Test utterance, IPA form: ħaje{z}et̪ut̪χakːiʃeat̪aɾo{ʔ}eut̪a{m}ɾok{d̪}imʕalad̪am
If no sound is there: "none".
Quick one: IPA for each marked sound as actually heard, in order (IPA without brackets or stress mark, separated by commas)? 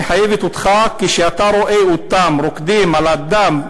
v, ʔ, m, d̪